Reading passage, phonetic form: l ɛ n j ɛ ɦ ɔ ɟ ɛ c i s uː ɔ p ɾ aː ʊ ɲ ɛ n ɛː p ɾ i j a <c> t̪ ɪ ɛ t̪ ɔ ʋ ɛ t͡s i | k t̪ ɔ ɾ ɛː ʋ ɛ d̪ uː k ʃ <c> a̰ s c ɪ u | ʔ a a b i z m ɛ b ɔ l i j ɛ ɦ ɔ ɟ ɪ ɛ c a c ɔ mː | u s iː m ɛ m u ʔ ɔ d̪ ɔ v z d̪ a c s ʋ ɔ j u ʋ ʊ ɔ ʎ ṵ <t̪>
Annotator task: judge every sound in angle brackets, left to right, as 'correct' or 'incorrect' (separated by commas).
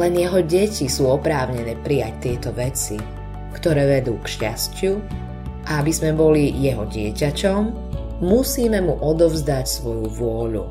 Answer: correct, correct, incorrect